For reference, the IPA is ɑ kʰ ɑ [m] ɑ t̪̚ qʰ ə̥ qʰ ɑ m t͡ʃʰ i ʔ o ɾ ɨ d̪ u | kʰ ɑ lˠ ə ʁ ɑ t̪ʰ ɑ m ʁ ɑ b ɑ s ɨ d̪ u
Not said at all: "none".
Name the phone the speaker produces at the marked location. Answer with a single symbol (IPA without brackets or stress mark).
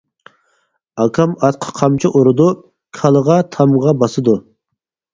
m